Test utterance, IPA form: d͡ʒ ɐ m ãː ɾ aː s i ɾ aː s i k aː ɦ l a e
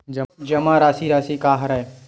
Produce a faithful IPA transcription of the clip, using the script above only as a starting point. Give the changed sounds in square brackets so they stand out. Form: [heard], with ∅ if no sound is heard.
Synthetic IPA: d͡ʒ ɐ m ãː ɾ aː s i ɾ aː s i k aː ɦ [ɾ] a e